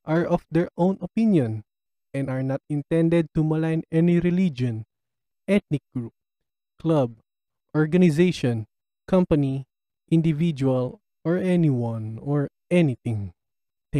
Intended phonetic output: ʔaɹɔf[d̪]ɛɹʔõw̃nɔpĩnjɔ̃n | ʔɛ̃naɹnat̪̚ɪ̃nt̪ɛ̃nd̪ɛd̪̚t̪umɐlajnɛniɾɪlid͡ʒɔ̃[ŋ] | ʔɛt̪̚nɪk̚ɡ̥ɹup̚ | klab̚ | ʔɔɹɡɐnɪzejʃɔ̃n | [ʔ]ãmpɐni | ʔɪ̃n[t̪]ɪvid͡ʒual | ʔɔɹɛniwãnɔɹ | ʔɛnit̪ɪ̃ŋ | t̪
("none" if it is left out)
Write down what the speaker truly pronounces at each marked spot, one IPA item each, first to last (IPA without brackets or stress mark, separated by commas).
d̪, n, k, d̪